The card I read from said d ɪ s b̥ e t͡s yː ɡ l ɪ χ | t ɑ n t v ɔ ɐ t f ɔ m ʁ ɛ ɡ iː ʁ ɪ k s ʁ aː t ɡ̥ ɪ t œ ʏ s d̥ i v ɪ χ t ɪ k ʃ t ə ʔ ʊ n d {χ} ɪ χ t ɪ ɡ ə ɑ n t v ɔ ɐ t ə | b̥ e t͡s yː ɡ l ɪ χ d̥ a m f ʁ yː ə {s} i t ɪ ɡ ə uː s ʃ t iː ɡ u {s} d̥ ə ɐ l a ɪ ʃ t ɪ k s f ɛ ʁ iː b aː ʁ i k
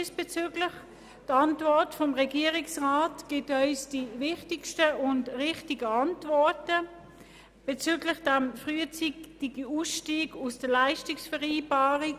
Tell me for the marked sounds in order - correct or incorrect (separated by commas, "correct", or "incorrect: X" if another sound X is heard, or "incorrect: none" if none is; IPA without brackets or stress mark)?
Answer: incorrect: ʁ, incorrect: t͡s, correct